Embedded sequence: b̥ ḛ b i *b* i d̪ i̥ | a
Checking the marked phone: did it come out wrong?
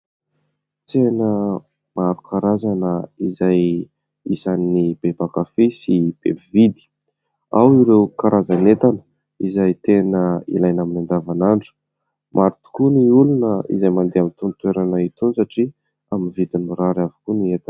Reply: yes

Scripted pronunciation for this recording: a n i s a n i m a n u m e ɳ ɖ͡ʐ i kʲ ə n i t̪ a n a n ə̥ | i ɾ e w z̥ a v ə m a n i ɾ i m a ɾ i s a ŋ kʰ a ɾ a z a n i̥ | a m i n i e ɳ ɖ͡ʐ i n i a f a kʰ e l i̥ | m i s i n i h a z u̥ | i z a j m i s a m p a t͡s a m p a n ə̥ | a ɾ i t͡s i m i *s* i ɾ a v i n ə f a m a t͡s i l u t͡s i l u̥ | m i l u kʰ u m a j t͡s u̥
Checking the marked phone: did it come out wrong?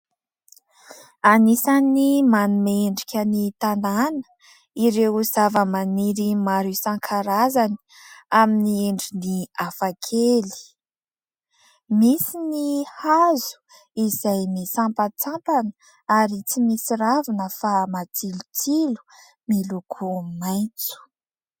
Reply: no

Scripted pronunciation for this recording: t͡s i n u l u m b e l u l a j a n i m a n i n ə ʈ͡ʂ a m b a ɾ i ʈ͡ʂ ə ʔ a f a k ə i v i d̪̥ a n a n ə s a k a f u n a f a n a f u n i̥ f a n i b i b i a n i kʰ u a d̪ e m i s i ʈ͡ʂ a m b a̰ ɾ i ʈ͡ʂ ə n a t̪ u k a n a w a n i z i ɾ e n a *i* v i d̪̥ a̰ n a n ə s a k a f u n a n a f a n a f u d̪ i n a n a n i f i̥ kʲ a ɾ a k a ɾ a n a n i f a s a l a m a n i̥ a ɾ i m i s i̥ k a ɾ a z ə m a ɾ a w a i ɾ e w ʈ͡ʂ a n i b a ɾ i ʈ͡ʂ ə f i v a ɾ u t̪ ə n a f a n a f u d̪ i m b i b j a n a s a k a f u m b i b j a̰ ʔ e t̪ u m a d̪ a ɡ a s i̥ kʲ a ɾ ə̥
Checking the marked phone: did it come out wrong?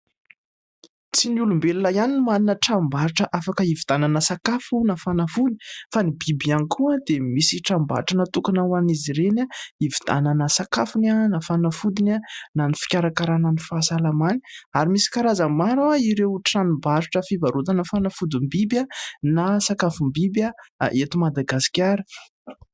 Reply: no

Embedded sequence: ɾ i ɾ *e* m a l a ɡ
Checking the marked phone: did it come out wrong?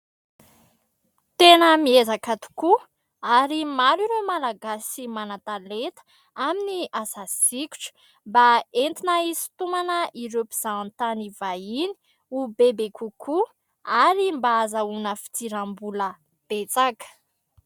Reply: no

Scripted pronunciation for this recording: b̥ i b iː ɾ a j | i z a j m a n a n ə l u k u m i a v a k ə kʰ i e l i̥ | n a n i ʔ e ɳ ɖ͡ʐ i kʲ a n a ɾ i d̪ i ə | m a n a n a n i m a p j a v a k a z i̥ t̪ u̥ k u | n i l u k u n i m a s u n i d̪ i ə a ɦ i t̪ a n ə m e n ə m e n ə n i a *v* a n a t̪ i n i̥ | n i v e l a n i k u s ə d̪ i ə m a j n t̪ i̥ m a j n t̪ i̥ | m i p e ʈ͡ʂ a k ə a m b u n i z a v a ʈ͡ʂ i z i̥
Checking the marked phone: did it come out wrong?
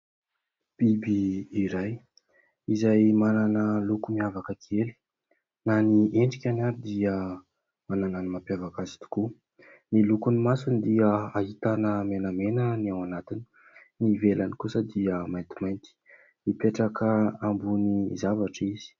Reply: yes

